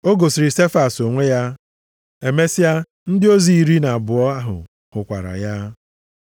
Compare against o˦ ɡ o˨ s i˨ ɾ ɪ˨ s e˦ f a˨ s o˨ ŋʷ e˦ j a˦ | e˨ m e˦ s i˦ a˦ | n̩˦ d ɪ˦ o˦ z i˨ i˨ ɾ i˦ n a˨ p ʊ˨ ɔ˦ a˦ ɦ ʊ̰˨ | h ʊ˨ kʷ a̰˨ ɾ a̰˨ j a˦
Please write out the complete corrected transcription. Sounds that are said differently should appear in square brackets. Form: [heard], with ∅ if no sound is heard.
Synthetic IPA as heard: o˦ ɡ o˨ s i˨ ɾ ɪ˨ s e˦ f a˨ s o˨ ŋʷ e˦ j a˦ | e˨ m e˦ s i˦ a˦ | n̩˦ d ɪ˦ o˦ z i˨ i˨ ɾ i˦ n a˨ [b] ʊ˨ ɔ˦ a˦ ɦ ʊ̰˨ | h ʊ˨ kʷ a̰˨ ɾ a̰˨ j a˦